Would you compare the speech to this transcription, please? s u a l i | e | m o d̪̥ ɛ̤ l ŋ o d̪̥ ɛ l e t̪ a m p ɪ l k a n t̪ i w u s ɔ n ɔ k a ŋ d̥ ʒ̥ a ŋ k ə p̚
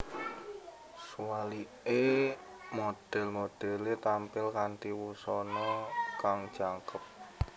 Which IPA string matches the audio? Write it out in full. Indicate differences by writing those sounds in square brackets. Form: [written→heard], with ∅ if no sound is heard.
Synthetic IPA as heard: s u a l i | e | m o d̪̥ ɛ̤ l [ŋ→m] o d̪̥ ɛ l e t̪ a m p ɪ l k a n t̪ i w u s ɔ n ɔ k a ŋ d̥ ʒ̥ a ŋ k ə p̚